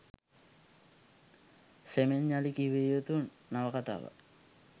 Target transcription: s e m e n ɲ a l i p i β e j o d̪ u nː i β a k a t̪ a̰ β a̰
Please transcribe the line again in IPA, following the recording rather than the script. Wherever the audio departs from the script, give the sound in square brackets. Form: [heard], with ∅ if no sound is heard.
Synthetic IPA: s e m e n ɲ a l i [k] i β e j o [t̪] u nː [a] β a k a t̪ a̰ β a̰